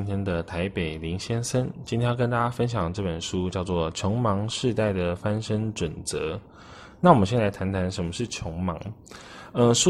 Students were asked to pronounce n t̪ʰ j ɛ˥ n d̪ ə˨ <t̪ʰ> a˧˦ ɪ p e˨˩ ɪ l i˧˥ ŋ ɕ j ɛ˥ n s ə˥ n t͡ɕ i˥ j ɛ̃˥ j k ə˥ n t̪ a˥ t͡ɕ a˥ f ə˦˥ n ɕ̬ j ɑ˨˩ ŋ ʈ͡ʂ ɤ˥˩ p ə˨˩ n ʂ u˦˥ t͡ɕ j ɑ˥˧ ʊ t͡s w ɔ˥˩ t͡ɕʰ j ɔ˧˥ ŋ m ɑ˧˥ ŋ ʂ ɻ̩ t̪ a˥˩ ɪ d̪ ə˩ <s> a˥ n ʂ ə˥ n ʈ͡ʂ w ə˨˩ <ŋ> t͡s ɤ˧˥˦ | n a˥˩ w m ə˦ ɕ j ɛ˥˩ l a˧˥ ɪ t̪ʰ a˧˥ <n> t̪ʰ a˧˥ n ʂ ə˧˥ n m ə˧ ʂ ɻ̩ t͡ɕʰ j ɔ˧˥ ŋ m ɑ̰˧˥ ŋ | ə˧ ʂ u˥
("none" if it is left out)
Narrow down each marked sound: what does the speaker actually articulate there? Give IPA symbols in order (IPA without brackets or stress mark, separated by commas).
t̪ʰ, f, n, n